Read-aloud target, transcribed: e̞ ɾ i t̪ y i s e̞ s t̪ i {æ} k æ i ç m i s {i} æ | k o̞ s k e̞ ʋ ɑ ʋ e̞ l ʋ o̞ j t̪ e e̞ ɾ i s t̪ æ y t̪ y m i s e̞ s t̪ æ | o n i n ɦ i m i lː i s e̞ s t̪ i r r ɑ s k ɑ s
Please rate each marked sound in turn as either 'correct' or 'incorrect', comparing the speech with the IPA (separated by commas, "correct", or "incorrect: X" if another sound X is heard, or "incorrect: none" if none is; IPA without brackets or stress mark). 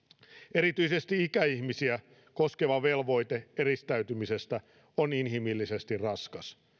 incorrect: i, correct